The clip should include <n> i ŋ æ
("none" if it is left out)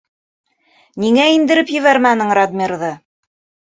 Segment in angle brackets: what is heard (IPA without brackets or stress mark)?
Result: n